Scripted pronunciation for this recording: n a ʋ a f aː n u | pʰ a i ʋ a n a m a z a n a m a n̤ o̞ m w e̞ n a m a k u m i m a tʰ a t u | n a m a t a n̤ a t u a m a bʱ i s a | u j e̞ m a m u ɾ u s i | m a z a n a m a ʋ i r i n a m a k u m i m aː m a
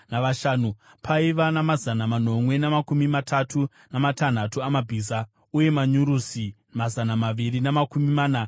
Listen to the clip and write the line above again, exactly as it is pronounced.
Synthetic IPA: n a ʋ a ʃ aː n u | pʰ a i ʋ a n a m a z a n a m a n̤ o̞ m w e̞ n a m a k u m i m a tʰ a t u | n a m a t a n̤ a t u a m a bʱ i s a | u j e̞ m a ɲ u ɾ u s i | m a z a n a m a ʋ i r i n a m a k u m i m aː n a